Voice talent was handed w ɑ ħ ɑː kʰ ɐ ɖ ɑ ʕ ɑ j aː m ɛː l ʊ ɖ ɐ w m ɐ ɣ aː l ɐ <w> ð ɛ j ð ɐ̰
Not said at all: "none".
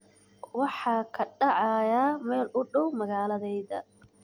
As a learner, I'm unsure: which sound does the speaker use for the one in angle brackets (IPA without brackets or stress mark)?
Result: none